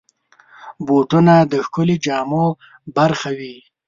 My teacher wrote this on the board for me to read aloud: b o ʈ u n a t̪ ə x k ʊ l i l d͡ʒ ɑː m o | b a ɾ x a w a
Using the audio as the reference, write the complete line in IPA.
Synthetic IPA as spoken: b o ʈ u n a d̪ ə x k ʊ l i d͡ʒ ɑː m o | b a ɾ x a w i